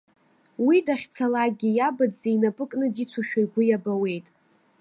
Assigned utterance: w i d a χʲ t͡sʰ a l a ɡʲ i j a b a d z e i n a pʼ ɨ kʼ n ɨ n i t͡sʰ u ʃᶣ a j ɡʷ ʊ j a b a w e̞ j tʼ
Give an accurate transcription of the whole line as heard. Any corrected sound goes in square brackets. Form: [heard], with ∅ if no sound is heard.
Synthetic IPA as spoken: w i d a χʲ t͡sʰ a l a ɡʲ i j a b a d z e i n a pʼ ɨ kʼ n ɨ [d] i t͡sʰ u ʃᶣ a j ɡʷ ʊ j a b a w e̞ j tʼ